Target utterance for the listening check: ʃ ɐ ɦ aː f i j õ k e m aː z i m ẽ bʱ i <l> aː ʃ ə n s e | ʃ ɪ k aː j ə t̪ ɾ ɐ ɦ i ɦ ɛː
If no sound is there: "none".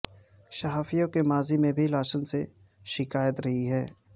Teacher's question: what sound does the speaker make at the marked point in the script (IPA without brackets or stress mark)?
l